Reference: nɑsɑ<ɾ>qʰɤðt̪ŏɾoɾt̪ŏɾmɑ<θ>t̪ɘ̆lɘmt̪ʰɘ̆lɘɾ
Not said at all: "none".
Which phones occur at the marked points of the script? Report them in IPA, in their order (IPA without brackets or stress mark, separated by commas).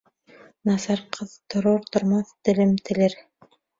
ɾ, θ